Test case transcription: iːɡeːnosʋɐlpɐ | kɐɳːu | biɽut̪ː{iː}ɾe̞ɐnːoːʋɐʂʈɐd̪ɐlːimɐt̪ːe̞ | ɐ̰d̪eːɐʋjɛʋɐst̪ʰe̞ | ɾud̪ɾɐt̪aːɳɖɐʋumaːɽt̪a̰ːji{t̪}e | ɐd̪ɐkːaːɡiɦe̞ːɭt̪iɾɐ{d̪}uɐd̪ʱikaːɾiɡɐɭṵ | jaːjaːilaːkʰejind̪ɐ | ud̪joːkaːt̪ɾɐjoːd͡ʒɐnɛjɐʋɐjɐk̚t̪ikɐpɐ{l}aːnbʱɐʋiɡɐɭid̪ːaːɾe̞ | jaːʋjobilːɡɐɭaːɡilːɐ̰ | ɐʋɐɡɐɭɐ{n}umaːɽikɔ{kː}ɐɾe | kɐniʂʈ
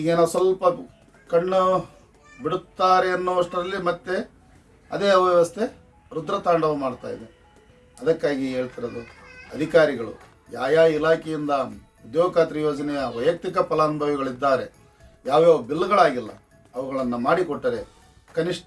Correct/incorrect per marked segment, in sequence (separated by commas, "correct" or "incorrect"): incorrect, incorrect, correct, correct, incorrect, incorrect